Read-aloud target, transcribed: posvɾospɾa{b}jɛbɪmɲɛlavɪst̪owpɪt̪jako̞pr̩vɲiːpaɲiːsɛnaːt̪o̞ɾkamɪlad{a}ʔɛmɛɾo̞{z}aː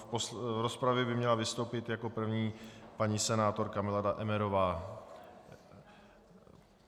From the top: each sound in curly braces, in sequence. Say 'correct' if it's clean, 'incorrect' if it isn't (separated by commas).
incorrect, correct, incorrect